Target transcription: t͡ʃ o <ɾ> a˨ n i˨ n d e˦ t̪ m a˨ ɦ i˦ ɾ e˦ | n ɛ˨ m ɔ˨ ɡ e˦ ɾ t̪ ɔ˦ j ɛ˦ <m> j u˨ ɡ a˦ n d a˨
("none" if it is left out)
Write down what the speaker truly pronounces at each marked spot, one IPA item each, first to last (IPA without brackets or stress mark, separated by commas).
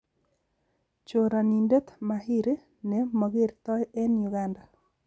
ɾ, n